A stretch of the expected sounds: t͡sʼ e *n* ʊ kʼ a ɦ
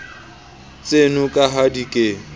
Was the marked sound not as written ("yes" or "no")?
no